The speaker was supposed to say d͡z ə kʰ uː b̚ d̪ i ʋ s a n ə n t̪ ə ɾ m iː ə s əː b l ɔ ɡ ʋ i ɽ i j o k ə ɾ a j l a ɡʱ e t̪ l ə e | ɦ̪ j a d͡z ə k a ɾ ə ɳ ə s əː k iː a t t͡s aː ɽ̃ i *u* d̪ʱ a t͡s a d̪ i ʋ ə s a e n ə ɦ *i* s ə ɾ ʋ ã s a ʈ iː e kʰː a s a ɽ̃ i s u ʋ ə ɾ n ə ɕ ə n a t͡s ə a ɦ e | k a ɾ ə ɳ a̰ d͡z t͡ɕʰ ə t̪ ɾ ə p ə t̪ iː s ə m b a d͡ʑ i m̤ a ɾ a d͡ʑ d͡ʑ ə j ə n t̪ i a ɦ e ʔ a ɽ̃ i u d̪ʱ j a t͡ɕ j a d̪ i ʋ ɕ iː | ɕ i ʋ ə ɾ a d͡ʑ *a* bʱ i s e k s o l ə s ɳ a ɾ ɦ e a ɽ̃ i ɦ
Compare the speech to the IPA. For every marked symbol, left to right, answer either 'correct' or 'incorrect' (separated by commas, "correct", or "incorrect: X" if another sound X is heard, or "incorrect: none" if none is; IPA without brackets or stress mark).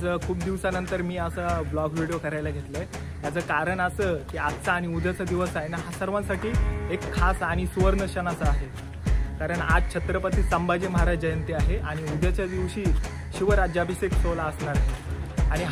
correct, incorrect: a, correct